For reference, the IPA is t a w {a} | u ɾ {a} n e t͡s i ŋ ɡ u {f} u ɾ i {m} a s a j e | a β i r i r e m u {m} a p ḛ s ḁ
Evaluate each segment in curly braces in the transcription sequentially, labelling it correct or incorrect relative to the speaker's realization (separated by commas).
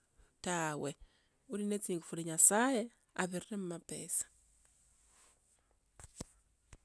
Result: incorrect, incorrect, correct, incorrect, correct